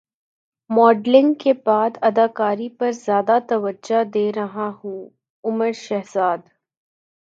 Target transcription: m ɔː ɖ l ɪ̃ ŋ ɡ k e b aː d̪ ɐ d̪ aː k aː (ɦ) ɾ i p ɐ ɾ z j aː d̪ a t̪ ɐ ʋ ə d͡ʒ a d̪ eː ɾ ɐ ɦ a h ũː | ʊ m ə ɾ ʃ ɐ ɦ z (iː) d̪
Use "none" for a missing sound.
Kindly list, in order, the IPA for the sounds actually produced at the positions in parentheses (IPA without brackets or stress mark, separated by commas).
none, aː